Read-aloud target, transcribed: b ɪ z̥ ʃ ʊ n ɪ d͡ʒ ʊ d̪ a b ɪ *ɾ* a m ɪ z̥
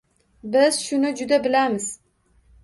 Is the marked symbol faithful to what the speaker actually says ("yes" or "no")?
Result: no